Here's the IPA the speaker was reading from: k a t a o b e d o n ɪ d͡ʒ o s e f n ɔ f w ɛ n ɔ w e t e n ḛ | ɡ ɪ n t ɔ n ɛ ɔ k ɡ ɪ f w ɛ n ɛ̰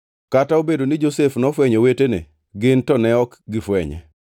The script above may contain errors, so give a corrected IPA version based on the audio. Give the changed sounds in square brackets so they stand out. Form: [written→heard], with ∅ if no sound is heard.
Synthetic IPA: k a t a o b e d o n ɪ d͡ʒ o s e f n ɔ f w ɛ [n→ɲ] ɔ w e t e n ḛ | ɡ ɪ n t ɔ n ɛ ɔ k ɡ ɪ f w ɛ [n→ɲ] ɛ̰